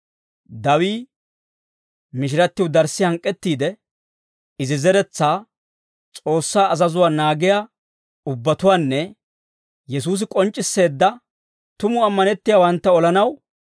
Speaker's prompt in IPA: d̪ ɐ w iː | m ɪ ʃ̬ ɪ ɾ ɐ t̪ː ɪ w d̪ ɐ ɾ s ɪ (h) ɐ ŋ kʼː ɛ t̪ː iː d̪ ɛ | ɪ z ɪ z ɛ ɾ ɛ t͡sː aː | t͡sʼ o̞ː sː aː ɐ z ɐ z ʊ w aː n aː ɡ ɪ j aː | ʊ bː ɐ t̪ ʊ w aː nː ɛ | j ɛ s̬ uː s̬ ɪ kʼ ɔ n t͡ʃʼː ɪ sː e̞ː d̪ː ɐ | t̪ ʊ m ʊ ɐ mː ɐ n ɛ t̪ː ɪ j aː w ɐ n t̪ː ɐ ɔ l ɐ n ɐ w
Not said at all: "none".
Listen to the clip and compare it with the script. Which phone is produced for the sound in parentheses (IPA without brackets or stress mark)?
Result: h